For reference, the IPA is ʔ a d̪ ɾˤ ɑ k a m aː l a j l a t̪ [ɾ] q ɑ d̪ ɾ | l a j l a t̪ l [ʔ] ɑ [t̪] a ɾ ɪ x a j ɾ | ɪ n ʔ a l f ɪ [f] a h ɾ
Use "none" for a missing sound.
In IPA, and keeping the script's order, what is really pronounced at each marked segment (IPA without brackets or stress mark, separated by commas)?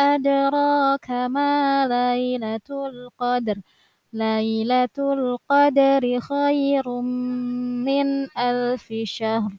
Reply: l, q, d̪, ʃ